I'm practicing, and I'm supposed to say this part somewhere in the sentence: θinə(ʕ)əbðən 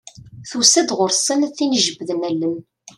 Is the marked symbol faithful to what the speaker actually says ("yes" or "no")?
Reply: no